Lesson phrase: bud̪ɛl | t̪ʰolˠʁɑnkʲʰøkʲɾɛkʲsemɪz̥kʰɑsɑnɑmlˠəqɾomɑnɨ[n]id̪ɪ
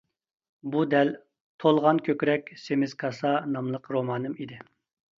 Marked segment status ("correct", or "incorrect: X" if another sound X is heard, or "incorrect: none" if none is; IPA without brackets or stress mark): incorrect: m